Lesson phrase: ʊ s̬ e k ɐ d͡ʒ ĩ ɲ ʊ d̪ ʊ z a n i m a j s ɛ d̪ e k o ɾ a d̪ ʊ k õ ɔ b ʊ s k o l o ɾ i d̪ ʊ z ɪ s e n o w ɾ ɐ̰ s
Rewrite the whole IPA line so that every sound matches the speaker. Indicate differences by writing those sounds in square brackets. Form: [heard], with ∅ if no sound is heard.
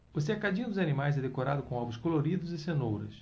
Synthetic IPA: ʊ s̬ e k [a] d͡ʒ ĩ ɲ ʊ d̪ ʊ z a n i m a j [z] ɛ d̪ e k o ɾ a d̪ ʊ k õ ɔ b ʊ s k o l o ɾ i d̪ ʊ z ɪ s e n o w ɾ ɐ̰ s